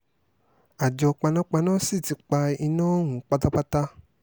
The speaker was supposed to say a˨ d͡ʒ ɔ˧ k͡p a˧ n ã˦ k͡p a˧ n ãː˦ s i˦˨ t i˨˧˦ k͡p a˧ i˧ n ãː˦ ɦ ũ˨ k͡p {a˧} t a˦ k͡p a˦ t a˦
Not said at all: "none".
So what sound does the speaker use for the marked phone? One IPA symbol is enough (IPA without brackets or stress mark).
a˧